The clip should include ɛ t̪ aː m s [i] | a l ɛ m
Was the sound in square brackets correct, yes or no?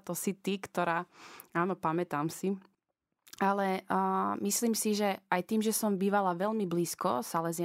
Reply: yes